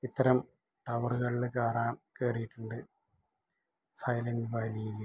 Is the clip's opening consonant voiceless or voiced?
voiceless